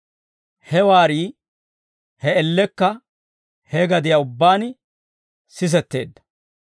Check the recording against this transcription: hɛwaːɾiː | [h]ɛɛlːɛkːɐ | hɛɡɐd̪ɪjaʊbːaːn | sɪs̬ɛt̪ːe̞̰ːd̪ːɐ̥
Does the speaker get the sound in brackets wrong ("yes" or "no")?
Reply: no